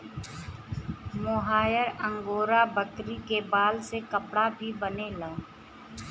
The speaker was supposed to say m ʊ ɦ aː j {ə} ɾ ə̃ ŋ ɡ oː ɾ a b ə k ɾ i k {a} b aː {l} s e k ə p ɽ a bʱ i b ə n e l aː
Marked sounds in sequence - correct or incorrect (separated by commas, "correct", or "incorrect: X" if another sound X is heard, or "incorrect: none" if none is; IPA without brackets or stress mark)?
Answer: correct, incorrect: e, correct